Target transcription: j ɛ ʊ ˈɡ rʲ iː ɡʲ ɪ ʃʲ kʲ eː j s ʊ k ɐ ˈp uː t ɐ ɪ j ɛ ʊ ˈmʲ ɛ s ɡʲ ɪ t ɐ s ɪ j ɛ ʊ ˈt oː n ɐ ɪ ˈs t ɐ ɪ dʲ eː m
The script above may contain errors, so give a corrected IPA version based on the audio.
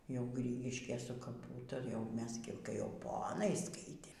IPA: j ɛ ʊ ˈɡ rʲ iː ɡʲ ɪ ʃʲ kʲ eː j s ʊ k ɐ ˈp uː t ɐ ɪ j ɛ ʊ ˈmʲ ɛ s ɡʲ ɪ k ɐ ɪ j ɛ ʊ ˈp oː n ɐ ɪ ˈs k ɐ ɪ tʲ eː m